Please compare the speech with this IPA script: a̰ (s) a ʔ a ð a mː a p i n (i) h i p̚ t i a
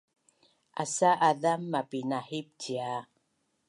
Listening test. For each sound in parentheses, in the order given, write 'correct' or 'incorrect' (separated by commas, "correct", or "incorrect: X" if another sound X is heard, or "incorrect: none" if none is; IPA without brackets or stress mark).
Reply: correct, incorrect: a